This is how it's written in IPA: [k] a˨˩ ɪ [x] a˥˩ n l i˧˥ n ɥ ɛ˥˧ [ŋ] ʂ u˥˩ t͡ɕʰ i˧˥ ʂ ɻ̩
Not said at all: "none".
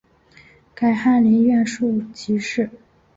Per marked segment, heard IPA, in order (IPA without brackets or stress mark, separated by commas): k, x, n